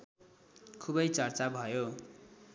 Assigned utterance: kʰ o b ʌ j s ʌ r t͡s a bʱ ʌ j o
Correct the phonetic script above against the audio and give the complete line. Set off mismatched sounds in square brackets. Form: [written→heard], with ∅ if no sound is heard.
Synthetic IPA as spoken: kʰ [o→u] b ʌ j [s→t͡s] ʌ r t͡s a bʱ ʌ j o